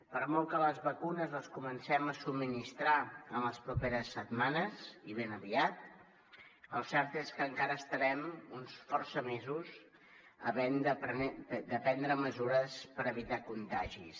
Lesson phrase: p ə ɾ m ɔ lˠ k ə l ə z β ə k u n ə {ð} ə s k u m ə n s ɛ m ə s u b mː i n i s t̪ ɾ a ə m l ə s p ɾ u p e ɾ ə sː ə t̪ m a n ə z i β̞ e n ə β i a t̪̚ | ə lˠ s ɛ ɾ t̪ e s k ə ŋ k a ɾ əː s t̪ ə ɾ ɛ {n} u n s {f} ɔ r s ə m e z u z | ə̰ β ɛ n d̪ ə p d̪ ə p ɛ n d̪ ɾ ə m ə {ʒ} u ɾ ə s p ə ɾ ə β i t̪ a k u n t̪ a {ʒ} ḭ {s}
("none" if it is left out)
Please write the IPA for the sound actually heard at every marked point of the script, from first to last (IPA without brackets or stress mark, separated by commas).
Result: z, m, f, z, ʒ, s